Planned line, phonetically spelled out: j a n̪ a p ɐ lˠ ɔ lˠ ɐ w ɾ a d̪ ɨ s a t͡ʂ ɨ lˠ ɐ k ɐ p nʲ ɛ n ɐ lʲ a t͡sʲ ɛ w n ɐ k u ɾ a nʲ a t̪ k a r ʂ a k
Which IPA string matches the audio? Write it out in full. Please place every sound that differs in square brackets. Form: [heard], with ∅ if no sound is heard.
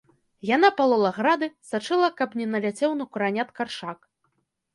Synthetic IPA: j a n̪ a p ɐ lˠ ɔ lˠ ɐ [ɣ] ɾ a d̪ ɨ s a t͡ʂ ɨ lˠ ɐ k ɐ p nʲ ɛ n ɐ lʲ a t͡sʲ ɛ w n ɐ k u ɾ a nʲ a t̪ k a r ʂ a k

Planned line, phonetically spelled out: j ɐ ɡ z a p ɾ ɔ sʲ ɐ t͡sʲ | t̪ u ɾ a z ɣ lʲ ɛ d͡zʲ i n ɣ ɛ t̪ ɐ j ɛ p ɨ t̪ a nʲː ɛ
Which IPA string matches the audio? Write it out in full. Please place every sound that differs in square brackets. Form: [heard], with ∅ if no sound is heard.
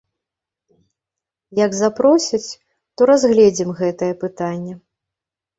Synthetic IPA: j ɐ ɡ z a p ɾ ɔ sʲ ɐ t͡sʲ | t̪ [ɔ] ɾ a z ɣ lʲ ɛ d͡zʲ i [m] ɣ ɛ t̪ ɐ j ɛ p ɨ t̪ a nʲː ɛ

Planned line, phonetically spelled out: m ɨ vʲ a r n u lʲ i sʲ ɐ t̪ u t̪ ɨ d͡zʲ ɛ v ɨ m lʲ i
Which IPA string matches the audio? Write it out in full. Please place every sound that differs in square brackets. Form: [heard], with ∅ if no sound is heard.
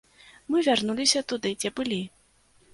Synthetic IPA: m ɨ vʲ a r n u lʲ i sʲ ɐ t̪ u [d̪] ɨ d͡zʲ ɛ [b] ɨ [∅] lʲ i

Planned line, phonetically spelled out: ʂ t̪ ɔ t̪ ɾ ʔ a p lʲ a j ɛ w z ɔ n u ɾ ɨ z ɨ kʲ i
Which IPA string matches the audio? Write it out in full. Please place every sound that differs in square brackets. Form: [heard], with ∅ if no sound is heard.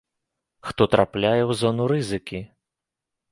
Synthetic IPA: [x] t̪ ɔ t̪ ɾ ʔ a p lʲ a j ɛ w z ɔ n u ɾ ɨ z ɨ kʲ i

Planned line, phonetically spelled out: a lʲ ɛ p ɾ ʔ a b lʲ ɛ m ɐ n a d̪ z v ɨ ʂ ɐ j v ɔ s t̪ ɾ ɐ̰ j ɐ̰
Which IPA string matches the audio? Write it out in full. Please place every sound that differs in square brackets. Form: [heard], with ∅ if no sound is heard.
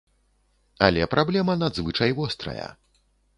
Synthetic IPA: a lʲ ɛ p ɾ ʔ a b lʲ ɛ m ɐ n a d̪ z v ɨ [t͡ʂ] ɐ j v ɔ s t̪ ɾ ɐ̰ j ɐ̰

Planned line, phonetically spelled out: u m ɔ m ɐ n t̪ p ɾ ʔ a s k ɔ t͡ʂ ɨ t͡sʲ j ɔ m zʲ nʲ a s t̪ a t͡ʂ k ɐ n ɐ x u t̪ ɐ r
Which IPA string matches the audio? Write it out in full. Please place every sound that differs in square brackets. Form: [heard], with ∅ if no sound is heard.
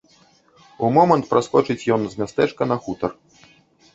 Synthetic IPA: u m ɔ m ɐ n t̪ p ɾ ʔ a s k ɔ t͡ʂ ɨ t͡sʲ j ɔ [n] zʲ [mʲ] a s t̪ [ɛ] t͡ʂ k ɐ n ɐ x u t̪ ɐ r

